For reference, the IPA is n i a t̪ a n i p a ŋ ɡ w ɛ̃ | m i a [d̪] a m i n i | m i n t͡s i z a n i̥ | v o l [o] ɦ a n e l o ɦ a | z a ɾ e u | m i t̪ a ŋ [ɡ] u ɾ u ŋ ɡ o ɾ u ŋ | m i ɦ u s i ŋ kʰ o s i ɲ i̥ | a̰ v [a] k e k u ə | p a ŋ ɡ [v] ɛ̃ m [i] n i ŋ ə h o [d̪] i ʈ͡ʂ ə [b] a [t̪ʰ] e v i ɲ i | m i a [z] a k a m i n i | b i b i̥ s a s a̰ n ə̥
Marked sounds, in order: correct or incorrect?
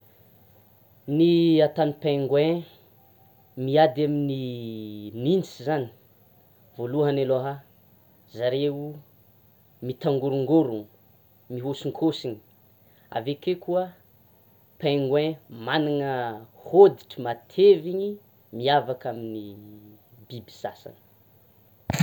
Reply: correct, incorrect: u, correct, incorrect: e, incorrect: w, incorrect: a, correct, incorrect: m, correct, incorrect: v

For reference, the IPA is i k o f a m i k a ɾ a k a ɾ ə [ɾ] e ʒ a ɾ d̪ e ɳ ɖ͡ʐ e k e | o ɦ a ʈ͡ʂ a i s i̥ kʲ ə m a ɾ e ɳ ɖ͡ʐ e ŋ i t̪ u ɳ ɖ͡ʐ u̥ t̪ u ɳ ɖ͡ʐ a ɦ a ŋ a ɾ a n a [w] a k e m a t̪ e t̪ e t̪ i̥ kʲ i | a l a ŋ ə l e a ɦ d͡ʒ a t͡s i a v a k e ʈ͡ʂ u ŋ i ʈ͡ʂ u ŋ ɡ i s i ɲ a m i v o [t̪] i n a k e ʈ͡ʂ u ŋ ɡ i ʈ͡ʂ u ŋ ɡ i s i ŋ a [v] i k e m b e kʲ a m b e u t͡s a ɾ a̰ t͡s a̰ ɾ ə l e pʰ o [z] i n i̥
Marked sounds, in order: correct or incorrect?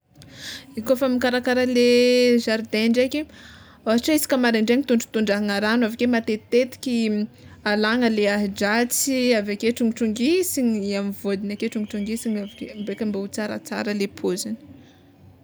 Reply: incorrect: l, incorrect: v, incorrect: d̪, correct, correct

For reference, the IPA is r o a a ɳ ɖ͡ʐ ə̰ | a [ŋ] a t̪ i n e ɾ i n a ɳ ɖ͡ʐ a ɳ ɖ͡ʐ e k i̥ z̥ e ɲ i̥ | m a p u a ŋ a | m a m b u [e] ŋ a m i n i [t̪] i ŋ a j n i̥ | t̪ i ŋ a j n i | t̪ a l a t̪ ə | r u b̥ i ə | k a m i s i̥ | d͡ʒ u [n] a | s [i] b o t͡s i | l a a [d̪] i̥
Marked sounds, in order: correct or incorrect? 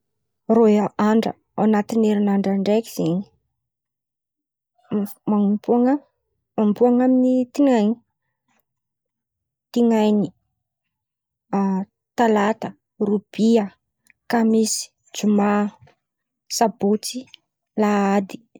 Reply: incorrect: n, incorrect: a, correct, incorrect: m, incorrect: a, correct

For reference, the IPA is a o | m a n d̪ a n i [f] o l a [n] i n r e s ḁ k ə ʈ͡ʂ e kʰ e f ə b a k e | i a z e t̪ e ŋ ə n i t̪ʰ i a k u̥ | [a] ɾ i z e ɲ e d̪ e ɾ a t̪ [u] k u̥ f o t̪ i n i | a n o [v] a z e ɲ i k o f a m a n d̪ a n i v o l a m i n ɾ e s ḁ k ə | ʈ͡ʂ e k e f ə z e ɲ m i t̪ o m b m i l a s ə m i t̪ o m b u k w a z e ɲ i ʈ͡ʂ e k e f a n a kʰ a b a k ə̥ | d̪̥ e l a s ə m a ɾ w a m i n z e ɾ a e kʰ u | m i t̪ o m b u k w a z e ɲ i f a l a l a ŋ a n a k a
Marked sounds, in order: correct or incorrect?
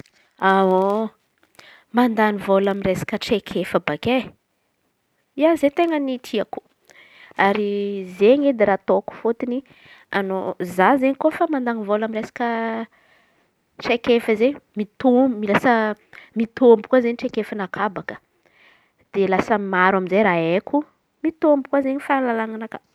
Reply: incorrect: v, incorrect: m, correct, incorrect: o, incorrect: z

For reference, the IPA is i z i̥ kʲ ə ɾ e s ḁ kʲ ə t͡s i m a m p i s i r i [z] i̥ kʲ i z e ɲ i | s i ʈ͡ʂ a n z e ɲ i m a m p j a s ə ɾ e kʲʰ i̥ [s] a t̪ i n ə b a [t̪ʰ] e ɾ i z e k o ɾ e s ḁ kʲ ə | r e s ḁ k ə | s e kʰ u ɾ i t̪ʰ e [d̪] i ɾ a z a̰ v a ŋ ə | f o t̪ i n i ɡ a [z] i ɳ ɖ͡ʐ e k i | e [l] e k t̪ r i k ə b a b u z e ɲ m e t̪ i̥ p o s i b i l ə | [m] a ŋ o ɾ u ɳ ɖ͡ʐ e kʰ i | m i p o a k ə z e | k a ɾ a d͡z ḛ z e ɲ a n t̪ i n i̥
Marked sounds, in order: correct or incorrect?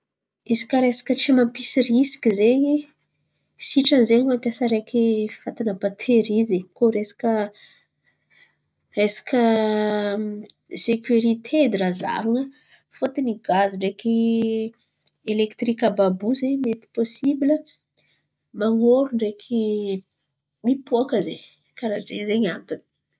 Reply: incorrect: s, incorrect: f, correct, correct, correct, correct, correct

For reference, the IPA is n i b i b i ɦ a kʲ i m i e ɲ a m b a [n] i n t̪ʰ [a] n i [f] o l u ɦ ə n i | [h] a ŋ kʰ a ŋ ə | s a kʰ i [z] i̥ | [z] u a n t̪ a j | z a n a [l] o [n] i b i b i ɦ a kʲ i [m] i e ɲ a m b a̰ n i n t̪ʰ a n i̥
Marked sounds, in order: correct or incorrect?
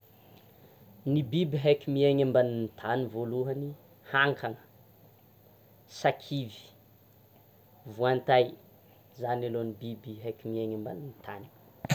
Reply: correct, correct, incorrect: v, correct, incorrect: v, incorrect: v, correct, correct, correct

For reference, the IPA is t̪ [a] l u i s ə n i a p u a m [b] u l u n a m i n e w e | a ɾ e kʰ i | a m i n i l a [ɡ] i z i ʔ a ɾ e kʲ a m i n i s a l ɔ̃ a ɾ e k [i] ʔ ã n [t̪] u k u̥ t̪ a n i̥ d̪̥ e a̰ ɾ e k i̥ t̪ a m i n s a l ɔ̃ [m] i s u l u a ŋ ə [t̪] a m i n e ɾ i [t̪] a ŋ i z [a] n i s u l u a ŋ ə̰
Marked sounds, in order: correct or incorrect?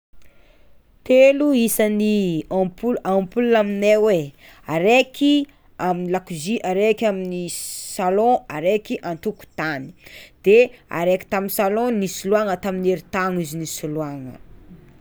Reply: incorrect: e, incorrect: p, incorrect: k, correct, correct, incorrect: n, correct, correct, incorrect: i

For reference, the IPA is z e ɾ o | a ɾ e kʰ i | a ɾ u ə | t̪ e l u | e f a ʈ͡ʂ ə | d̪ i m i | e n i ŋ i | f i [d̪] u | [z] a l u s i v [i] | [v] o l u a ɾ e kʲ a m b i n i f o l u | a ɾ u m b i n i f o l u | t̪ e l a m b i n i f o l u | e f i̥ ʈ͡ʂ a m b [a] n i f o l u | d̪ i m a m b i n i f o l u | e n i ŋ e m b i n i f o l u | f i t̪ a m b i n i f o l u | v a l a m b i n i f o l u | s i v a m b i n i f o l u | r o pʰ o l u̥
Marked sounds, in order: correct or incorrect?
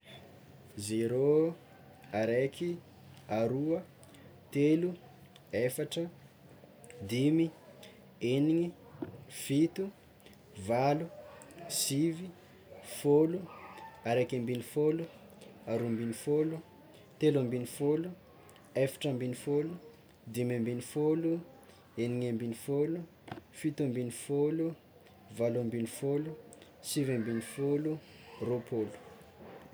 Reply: incorrect: t̪, incorrect: v, correct, incorrect: f, incorrect: i

